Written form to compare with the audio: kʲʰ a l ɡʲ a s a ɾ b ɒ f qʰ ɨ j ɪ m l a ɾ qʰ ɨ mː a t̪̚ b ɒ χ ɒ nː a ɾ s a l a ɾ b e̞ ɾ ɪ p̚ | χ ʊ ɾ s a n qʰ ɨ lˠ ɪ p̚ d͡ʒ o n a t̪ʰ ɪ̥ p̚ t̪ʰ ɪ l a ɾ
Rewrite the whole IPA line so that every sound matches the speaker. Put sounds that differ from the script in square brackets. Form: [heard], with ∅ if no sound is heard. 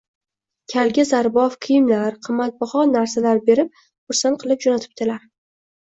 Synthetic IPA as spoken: kʲʰ a l ɡʲ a [z] a ɾ b ɒ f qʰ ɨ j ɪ m l a ɾ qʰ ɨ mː a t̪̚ b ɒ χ ɒ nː a ɾ s a l a ɾ b e̞ ɾ ɪ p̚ | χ ʊ ɾ s a n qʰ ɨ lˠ ɪ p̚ d͡ʒ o n a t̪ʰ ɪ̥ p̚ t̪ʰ ɪ l a ɾ

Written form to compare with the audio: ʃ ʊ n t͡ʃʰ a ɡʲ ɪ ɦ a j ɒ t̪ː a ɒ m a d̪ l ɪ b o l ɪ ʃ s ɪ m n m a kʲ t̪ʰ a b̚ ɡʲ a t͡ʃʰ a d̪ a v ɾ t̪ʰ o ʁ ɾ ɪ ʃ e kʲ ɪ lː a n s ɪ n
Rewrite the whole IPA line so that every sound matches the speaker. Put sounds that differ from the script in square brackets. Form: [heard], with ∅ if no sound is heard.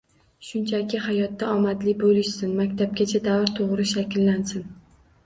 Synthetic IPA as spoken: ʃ ʊ n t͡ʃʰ a [kʲ] ɪ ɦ a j ɒ t̪ː a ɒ m a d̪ l ɪ b o l ɪ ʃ s ɪ [∅] n m a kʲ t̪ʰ a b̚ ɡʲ a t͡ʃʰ a d̪ a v ɾ t̪ʰ o ʁ ɾ ɪ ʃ [a] kʲ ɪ lː a n s ɪ n

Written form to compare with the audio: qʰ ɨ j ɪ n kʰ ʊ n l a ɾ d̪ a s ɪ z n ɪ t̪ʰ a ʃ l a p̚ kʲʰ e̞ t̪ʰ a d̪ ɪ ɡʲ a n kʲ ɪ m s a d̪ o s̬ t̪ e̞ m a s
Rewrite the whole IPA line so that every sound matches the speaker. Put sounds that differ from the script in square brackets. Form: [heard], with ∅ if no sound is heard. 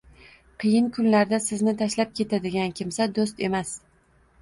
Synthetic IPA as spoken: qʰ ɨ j ɪ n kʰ ʊ n l a ɾ d̪ a s ɪ z n ɪ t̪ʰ a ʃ l a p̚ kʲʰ e̞ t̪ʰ a d̪ ɪ ɡʲ a n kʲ ɪ m s a d̪ o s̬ t̪ e̞ m a s

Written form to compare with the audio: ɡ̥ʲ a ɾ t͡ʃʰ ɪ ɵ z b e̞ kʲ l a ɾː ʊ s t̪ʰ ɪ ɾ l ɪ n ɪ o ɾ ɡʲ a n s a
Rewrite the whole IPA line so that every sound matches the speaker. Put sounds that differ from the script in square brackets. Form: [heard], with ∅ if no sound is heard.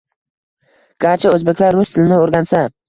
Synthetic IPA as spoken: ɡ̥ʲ a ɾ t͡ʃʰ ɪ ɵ z b e̞ kʲ l a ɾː ʊ s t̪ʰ ɪ [∅] l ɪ n ɪ o ɾ ɡʲ a n s a

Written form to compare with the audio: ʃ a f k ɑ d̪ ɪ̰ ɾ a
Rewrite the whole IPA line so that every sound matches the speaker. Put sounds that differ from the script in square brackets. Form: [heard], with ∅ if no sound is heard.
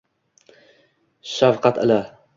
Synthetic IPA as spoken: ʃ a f [q] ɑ [t̪] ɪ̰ [l] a

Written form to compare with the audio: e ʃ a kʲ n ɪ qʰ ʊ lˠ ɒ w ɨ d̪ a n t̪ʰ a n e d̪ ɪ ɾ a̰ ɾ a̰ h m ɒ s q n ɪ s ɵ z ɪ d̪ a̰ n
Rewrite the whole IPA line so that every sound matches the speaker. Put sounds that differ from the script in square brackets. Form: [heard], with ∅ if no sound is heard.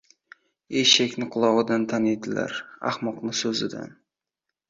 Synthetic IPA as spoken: e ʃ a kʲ n ɪ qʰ ʊ lˠ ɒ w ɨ d̪ a n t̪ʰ a n e d̪ ɪ [l] a̰ ɾ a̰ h m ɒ [∅] q n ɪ s ɵ z ɪ d̪ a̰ n

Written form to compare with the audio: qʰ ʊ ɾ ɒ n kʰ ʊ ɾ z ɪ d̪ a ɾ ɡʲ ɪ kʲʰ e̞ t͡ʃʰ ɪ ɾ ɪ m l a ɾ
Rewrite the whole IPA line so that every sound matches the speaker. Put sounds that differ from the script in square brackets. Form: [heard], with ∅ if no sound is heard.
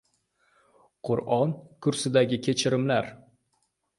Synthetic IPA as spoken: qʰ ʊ ɾ ɒ n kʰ ʊ ɾ [s] ɪ d̪ a [∅] ɡʲ ɪ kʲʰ e̞ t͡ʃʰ ɪ ɾ ɪ m l a ɾ

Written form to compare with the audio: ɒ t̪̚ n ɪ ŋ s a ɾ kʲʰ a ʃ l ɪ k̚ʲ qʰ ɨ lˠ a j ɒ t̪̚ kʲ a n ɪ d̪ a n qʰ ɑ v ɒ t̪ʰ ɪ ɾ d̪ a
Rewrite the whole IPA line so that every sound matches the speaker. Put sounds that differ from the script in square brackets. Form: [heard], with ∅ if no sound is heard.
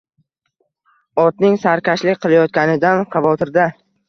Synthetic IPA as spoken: ɒ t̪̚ n ɪ ŋ s a ɾ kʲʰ a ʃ l ɪ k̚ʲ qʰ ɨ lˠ a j ɒ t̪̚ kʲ a n ɪ d̪ a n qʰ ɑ v ɒ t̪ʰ ɪ ɾ d̪ a

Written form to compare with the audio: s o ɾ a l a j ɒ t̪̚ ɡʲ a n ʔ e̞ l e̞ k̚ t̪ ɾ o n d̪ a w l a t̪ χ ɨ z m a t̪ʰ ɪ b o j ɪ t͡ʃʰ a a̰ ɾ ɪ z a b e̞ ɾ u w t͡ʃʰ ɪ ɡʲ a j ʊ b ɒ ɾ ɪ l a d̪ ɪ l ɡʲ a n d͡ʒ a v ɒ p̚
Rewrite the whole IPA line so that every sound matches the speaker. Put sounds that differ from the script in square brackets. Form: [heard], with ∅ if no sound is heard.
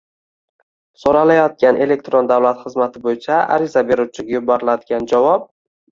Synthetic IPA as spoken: s o ɾ a l a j ɒ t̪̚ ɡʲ a n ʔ e̞ l e̞ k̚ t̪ ɾ o n d̪ a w l a t̪ χ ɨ z m a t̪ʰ ɪ b o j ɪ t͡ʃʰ a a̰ ɾ ɪ z a b e̞ ɾ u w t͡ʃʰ ɪ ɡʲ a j ʊ b ɒ ɾ ɪ l a d̪ ɪ [∅] ɡʲ a n d͡ʒ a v ɒ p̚

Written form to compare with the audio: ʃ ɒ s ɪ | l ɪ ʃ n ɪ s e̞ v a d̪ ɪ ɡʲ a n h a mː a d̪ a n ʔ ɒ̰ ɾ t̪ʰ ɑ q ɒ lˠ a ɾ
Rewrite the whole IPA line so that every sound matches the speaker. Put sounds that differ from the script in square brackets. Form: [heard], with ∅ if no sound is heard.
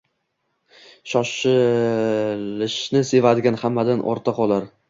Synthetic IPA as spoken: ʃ ɒ [ʃ] ɪ | l ɪ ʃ n ɪ s e̞ v a d̪ ɪ ɡʲ a n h a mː a d̪ a n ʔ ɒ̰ ɾ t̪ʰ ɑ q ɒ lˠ a ɾ

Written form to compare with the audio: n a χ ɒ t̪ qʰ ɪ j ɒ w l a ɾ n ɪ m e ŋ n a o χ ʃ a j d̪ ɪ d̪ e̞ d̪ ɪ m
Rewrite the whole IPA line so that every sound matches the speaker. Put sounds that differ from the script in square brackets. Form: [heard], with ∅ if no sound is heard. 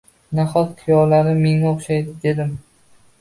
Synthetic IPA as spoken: n a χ ɒ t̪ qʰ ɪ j ɒ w l a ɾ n ɪ m e ŋ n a o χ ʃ a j d̪ ɪ d̪ e̞ d̪ ɪ m

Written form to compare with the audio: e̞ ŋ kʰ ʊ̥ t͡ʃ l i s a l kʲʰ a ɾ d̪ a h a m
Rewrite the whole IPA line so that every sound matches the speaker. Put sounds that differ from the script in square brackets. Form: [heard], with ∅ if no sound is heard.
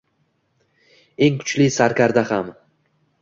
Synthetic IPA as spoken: e̞ ŋ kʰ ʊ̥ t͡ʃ l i s a [ɾ] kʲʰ a ɾ d̪ a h a m

